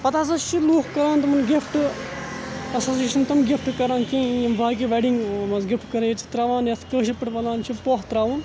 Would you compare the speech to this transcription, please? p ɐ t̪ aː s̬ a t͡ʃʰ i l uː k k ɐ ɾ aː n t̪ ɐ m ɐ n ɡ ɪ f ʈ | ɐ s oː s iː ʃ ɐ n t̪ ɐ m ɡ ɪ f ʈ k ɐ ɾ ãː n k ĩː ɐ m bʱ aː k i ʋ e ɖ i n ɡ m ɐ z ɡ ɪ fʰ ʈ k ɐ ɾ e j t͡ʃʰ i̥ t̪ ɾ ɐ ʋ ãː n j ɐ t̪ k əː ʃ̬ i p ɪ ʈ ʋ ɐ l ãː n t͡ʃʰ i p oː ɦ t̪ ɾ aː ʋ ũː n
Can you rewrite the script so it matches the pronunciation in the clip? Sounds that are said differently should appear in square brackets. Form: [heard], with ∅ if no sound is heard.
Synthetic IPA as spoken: p ɐ t̪ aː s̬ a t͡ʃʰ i l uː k k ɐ ɾ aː n t̪ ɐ m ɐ n ɡ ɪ f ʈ | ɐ s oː s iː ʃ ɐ n t̪ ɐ m ɡ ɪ f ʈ k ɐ ɾ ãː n k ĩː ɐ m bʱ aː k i ʋ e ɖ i [ŋ] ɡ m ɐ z ɡ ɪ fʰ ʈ k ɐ ɾ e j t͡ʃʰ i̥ t̪ ɾ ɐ ʋ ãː n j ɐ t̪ k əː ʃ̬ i p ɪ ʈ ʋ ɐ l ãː n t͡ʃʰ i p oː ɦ t̪ ɾ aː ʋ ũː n